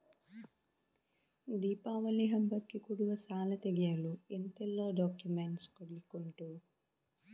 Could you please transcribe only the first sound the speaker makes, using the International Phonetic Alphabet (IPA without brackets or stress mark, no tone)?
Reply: d̪